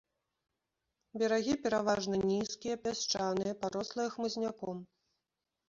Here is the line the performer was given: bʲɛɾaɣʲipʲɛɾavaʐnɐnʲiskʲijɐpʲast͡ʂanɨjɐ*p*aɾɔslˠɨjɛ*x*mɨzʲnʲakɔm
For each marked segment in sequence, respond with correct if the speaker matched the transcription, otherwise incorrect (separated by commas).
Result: correct, correct